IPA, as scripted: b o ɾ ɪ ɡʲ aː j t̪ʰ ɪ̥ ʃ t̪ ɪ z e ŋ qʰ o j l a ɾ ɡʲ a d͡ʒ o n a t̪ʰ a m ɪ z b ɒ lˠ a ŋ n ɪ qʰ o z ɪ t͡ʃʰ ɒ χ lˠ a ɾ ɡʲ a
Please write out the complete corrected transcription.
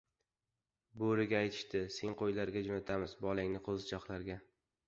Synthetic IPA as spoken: b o ɾ ɪ ɡʲ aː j t̪ʰ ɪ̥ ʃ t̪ ɪ s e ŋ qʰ o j l a ɾ ɡʲ a d͡ʒ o n a t̪ʰ a m ɪ z b ɒ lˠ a ŋ n ɪ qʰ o z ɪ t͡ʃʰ ɒ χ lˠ a ɾ ɡʲ a